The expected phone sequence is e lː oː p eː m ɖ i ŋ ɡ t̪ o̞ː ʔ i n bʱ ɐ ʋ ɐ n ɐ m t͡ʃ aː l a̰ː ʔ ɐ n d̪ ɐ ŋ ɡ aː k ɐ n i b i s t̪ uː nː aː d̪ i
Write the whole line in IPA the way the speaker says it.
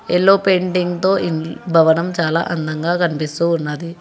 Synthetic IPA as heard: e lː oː p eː ɳ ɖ i ŋ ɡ t̪ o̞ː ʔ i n bʱ ɐ ʋ ɐ n ɐ m t͡ʃ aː l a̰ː ʔ ɐ n d̪ ɐ ŋ ɡ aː k ɐ n i p i s t̪ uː nː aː d̪ i